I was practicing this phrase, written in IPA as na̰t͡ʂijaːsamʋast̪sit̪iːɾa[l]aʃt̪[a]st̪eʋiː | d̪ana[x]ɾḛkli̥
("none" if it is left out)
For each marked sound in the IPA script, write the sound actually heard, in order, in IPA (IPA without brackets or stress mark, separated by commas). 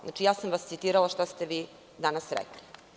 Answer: l, a, s